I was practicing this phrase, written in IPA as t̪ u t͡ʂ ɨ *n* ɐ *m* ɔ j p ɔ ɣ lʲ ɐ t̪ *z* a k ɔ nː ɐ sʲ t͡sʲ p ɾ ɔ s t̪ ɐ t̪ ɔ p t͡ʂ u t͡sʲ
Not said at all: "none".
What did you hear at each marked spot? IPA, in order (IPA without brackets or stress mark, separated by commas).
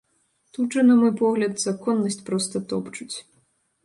n, m, z